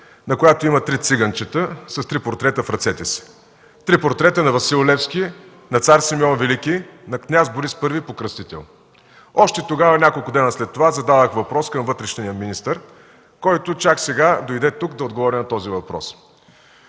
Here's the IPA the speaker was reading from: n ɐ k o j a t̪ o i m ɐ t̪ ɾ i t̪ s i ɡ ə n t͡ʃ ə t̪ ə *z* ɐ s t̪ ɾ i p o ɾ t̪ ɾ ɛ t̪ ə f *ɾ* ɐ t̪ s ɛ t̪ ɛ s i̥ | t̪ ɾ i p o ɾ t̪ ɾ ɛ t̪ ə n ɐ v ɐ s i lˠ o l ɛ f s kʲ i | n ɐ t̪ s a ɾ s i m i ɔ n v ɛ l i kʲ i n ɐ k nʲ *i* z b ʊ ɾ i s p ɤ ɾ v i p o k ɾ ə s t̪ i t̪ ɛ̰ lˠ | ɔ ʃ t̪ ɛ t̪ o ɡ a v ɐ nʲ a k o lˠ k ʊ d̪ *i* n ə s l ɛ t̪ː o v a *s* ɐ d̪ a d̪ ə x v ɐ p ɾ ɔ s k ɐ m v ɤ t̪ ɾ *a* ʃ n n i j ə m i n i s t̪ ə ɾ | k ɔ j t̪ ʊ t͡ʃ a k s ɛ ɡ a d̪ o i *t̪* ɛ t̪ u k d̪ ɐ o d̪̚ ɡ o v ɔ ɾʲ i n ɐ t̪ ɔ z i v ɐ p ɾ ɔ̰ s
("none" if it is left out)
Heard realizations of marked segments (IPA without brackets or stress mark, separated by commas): s, ɾ, a, ɛ, z, ɛ, d̪